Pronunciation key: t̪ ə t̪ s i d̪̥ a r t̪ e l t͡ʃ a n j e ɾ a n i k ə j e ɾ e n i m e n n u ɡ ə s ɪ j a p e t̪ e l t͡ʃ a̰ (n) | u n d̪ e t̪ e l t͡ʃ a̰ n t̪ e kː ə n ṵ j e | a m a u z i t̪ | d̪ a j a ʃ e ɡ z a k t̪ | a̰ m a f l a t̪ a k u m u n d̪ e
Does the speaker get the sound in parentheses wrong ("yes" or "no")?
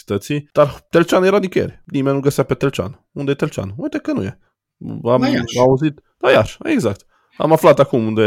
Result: no